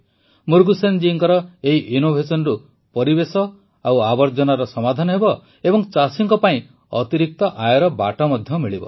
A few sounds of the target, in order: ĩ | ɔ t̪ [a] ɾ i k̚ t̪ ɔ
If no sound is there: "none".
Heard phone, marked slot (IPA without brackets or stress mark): i